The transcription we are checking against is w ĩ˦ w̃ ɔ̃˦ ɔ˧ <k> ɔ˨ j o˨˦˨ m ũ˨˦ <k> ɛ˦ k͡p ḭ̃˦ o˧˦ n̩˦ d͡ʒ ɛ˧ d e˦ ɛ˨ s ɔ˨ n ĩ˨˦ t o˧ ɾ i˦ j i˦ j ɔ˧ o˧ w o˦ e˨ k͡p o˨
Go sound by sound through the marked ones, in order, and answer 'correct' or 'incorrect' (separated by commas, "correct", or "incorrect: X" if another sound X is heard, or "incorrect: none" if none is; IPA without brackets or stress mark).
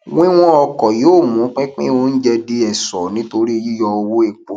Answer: correct, incorrect: k͡p